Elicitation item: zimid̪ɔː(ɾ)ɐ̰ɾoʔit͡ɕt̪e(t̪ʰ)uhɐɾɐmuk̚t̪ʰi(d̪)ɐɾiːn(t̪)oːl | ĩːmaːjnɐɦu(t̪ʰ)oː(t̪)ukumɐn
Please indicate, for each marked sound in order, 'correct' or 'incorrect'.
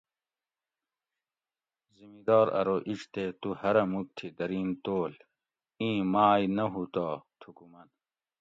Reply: correct, incorrect, correct, correct, incorrect, incorrect

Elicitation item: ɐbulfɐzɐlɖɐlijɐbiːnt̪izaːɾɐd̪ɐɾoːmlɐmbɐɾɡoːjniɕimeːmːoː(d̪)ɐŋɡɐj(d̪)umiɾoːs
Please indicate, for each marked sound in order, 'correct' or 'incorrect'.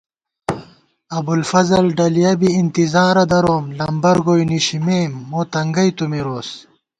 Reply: incorrect, incorrect

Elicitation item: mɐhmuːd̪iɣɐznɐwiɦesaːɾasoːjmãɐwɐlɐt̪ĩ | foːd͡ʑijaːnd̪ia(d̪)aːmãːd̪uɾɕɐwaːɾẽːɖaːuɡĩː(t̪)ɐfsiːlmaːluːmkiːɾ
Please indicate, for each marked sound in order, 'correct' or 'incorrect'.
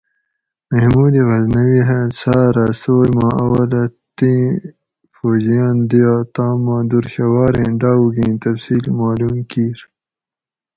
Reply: incorrect, correct

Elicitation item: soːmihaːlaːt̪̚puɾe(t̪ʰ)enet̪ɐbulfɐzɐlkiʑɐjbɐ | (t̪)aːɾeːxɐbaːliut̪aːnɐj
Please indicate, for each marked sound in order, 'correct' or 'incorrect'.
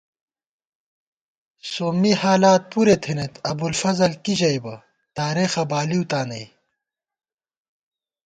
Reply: correct, correct

